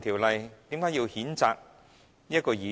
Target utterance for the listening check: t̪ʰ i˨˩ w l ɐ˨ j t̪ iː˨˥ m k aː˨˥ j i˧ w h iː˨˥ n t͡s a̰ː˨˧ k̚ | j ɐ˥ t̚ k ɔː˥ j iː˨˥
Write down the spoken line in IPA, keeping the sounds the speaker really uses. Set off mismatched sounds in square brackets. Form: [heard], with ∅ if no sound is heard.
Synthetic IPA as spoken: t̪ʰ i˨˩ w l ɐ˨ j t̪ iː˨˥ m k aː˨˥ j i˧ w h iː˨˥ n t͡s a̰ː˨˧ k̚ | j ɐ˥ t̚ k [ɔː˧] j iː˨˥